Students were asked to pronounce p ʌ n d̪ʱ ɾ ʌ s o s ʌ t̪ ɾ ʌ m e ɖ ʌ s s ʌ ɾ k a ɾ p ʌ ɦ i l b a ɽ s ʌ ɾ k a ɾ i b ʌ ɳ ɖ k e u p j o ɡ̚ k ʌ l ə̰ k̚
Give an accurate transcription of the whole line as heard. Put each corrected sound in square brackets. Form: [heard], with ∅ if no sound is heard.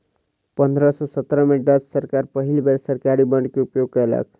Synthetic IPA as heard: p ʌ n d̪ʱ ɾ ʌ s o s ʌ t̪ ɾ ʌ m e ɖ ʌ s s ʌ ɾ k a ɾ p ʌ ɦ i l b [e] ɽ s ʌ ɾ k a ɾ i b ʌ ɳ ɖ k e u p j o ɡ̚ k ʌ l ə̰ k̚